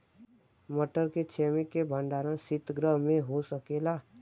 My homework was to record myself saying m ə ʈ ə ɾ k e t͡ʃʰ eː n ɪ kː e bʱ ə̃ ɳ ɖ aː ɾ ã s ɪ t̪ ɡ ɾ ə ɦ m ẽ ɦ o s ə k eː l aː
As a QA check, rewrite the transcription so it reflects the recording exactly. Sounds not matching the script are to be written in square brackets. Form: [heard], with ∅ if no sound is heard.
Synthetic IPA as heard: m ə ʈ ə ɾ k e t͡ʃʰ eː [m] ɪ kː e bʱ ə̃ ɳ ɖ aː ɾ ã s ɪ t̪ ɡ ɾ ə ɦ m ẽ ɦ o s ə k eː l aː